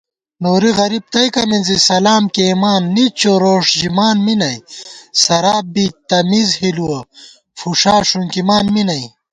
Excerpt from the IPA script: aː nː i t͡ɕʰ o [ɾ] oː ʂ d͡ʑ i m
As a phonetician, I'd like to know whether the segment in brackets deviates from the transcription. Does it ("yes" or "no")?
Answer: no